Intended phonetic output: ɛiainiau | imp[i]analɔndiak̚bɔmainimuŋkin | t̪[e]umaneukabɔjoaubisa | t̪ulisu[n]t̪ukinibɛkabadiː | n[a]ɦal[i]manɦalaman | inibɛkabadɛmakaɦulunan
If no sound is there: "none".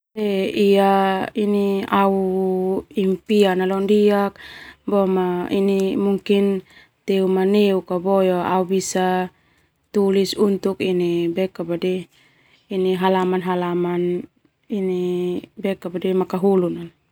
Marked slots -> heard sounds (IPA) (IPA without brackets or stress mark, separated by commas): i, e, n, i, a